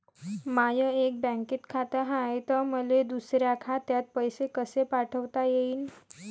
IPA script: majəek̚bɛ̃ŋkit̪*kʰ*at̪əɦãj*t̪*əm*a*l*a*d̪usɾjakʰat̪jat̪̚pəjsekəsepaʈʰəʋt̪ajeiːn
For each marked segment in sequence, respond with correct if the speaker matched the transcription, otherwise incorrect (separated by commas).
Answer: correct, correct, incorrect, incorrect